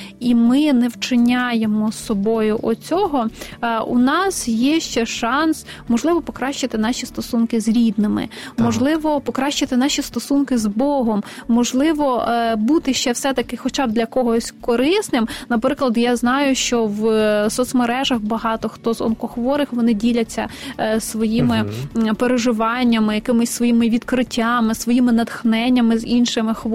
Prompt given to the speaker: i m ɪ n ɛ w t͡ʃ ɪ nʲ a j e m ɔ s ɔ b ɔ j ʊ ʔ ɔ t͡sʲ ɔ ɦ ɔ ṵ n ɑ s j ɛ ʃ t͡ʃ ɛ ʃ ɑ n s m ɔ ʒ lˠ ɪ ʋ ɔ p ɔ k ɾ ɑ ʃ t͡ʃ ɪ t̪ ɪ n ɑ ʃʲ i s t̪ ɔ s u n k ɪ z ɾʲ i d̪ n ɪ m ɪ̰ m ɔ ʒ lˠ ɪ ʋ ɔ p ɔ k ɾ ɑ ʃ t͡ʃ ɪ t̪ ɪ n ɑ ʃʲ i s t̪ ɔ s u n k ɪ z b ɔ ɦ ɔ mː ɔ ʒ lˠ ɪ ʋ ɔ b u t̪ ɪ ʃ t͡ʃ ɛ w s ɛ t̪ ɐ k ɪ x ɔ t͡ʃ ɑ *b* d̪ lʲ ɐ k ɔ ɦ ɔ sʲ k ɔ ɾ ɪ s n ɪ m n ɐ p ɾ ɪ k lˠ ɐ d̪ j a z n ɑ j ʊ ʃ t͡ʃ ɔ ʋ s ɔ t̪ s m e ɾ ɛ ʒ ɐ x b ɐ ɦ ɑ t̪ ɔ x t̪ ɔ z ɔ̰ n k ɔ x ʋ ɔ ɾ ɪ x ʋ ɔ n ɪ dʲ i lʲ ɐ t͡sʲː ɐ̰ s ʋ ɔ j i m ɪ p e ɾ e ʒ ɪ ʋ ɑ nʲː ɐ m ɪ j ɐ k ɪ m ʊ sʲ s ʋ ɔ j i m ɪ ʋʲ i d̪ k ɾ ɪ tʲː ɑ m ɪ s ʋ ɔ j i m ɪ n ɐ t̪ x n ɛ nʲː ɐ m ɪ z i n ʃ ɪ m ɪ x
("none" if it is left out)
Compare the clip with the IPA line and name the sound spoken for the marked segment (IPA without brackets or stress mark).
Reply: b